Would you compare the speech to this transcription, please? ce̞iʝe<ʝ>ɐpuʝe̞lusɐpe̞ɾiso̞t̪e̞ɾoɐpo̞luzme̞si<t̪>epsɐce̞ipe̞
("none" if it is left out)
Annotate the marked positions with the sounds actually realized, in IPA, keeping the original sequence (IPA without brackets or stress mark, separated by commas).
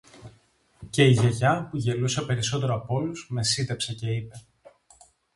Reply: ʝ, t̪